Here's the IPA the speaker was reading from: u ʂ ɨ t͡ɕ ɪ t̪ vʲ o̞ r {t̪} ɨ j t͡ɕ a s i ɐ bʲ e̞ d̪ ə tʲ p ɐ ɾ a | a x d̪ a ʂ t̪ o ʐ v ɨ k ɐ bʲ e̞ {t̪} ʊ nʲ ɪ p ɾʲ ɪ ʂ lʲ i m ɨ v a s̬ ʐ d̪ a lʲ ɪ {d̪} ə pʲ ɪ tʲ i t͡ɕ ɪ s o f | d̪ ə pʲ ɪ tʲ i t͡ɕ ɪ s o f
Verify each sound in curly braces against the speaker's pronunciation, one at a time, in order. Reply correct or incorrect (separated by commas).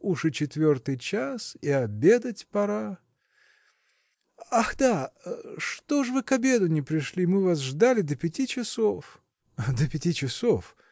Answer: correct, incorrect, correct